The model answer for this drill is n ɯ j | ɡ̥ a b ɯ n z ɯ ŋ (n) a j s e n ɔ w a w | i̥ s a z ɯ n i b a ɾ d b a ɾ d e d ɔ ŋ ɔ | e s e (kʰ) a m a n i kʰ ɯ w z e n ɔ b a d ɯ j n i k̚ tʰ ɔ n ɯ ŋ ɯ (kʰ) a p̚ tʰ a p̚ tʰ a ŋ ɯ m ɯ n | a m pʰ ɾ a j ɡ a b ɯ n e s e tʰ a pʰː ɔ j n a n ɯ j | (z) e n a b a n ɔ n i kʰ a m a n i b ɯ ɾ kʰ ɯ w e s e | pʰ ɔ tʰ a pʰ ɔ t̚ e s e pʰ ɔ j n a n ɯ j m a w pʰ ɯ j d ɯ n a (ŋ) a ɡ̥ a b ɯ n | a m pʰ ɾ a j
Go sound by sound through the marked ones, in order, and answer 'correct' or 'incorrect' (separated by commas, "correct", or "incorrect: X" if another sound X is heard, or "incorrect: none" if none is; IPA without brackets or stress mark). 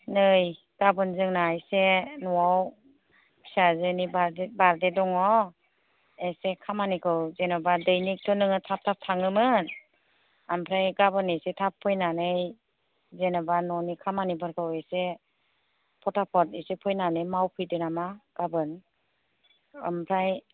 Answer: correct, correct, incorrect: tʰ, correct, incorrect: m